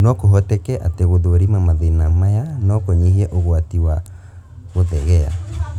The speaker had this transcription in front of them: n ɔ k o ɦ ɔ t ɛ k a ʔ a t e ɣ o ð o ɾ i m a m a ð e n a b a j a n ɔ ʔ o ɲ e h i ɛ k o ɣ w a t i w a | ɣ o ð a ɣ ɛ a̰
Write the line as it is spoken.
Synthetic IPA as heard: n ɔ k o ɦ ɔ t ɛ k ɛ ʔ a t e ɣ o ð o ɾ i m a m a ð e n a m a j a n ɔ k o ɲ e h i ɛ ʔ o ɣ w a t i w a | ɣ o ð ɛ ɣ ɛ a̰